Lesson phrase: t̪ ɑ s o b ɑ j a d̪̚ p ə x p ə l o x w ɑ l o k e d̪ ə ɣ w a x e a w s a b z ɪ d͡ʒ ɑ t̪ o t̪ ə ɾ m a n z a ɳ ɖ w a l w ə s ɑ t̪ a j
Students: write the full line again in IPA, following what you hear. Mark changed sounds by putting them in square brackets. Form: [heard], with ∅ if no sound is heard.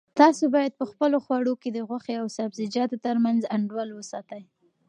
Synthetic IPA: t̪ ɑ s o b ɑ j a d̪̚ p ə x p ə l o x w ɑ [ɽ] o k e d̪ ə ɣ w a x e a w s a b z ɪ d͡ʒ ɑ t̪ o t̪ ə ɾ m a n z a ɳ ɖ w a l w ə s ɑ t̪ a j